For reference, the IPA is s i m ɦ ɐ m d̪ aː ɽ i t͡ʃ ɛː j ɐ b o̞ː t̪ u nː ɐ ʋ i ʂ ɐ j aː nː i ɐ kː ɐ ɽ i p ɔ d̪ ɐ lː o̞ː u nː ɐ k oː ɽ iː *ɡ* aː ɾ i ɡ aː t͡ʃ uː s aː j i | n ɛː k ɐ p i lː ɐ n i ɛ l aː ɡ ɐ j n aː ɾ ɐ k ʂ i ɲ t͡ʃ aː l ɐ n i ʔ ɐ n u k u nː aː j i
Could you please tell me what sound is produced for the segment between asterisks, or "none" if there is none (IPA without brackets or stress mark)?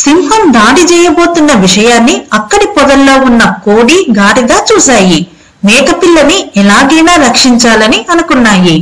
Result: ɡ